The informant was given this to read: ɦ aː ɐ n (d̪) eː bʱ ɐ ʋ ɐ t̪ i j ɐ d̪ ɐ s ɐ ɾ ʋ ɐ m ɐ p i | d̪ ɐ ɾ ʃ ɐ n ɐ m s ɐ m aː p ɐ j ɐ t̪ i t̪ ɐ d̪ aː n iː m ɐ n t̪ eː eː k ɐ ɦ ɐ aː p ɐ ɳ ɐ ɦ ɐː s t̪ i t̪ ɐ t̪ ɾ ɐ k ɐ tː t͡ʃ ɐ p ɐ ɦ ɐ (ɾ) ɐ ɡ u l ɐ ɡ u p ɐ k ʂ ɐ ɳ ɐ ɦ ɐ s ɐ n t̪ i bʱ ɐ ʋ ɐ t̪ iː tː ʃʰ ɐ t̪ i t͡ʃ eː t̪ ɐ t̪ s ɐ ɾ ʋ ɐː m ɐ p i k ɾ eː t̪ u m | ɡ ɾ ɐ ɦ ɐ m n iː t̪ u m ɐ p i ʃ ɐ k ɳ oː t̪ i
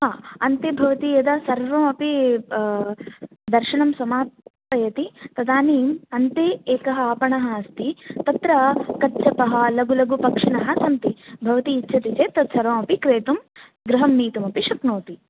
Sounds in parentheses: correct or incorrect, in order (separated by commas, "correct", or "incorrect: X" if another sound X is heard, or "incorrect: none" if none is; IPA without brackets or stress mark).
incorrect: t̪, incorrect: l